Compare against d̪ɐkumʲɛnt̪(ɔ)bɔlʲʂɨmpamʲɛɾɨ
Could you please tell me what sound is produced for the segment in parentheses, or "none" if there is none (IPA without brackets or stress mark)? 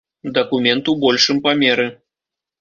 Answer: u